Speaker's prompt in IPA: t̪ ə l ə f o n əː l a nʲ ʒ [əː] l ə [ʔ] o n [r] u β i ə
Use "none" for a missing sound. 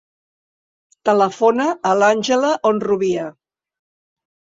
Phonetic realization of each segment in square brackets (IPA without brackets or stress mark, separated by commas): ə, ʔ, r